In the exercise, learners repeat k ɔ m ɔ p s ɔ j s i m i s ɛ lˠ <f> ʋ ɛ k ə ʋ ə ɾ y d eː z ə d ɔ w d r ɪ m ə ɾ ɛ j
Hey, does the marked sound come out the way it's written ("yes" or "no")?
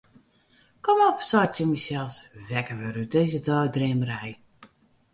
no